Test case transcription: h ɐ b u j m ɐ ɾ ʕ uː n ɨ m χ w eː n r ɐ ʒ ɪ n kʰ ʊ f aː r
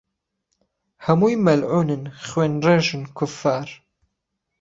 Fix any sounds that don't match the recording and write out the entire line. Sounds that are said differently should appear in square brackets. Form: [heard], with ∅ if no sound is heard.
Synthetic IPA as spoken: h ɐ [m] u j m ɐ [l] ʕ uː n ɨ [n] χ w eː n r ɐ ʒ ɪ n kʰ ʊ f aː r